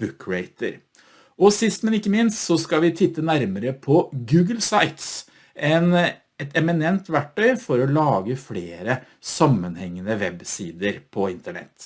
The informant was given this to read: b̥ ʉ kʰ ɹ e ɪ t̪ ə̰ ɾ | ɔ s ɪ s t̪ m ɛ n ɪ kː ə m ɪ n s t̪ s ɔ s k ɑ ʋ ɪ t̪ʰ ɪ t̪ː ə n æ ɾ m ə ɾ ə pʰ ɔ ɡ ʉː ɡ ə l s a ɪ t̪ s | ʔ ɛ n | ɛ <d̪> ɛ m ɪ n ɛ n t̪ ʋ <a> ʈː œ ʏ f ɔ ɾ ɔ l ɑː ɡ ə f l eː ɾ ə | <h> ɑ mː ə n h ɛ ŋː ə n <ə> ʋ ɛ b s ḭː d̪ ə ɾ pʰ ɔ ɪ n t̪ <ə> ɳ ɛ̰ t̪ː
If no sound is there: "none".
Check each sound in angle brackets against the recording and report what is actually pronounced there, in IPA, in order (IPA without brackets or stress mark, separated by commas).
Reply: t̪, æ, s, ə, ə